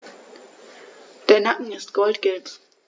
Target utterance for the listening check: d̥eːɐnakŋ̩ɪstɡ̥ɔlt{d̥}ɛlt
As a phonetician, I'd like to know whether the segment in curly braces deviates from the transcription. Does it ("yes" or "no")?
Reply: yes